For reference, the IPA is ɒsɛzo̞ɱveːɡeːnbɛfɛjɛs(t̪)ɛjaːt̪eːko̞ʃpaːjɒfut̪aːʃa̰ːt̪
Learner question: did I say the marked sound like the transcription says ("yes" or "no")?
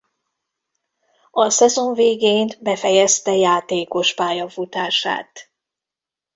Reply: yes